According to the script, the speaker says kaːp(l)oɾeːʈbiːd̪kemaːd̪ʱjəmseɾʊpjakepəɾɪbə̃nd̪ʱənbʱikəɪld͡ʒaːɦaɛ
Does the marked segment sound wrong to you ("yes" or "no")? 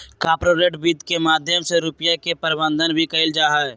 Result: yes